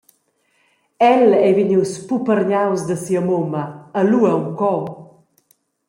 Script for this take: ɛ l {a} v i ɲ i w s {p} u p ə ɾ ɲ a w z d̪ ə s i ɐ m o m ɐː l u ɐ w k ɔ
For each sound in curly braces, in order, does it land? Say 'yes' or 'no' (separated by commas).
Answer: no, yes